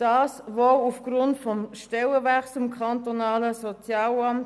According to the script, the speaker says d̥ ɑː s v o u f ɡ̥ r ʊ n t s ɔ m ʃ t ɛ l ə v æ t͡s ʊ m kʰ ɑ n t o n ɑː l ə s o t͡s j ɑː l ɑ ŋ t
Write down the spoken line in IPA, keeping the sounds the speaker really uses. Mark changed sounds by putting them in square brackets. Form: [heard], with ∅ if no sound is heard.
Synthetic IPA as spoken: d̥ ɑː s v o u f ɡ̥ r ʊ n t [f] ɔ m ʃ t ɛ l ə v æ t͡s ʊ m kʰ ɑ n t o n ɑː l ə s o t͡s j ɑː l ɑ [m] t